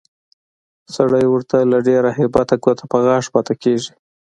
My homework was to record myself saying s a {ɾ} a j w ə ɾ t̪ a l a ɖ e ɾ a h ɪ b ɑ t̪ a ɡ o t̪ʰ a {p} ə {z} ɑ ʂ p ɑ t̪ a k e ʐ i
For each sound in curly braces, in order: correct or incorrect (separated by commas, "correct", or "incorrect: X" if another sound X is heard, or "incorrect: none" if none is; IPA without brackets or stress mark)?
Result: incorrect: ɽ, correct, incorrect: ɣ